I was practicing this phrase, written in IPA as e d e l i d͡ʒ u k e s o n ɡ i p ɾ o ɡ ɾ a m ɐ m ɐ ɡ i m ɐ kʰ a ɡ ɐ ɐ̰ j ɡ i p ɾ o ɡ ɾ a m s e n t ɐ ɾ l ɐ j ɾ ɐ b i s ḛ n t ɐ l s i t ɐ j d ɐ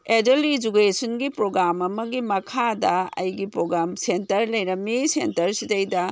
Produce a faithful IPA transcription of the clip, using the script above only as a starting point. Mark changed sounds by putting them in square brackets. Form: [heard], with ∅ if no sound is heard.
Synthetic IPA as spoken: e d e l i d͡ʒ u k e s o n ɡ i p ɾ o ɡ ɾ a m ɐ m ɐ ɡ i m ɐ kʰ a [d] ɐ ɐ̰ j ɡ i p ɾ o ɡ ɾ a m s e n t ɐ ɾ l ɐ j ɾ ɐ [m] i s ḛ n t ɐ [ɾ] s i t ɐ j d ɐ